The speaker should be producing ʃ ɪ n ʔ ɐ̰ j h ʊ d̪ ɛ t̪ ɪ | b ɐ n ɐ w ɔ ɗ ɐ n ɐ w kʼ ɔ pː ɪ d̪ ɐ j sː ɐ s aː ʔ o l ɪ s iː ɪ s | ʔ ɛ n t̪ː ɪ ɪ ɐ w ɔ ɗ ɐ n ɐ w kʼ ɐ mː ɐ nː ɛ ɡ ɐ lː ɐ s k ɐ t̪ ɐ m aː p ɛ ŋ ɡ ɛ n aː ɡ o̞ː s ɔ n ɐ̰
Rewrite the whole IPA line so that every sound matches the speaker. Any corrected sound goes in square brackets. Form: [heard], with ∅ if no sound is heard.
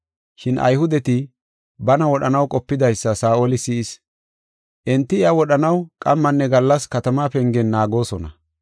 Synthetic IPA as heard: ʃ ɪ n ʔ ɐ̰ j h ʊ d̪ ɛ t̪ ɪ | b ɐ n ɐ w ɔ ɗ ɐ n ɐ w kʼ ɔ pː ɪ d̪ ɐ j sː ɐ s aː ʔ o l ɪ s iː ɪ s | ʔ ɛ n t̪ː ɪ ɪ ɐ w ɔ ɗ ɐ n ɐ w kʼ ɐ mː ɐ nː ɛ ɡ ɐ lː ɐ s k ɐ t̪ ɐ m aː p ɛ ŋ ɡ ɛ [nː] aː ɡ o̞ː s ɔ n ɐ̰